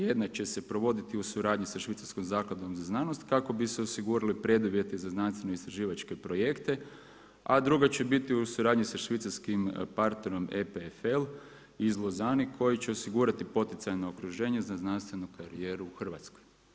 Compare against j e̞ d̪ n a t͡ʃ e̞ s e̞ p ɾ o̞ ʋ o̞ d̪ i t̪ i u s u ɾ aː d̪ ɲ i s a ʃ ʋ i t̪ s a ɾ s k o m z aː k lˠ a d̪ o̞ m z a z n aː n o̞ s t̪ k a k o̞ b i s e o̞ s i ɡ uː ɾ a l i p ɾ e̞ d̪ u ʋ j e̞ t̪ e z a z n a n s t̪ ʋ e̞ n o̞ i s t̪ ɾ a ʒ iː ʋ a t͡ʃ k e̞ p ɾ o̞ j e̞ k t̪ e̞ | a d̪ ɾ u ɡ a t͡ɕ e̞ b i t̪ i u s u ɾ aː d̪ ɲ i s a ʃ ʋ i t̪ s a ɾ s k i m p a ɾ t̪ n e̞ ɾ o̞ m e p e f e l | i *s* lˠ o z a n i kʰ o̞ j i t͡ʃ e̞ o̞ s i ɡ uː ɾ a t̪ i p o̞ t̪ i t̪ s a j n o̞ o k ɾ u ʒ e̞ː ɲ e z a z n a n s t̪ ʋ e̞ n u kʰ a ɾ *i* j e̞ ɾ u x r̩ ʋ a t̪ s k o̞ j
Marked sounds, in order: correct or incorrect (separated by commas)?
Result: incorrect, correct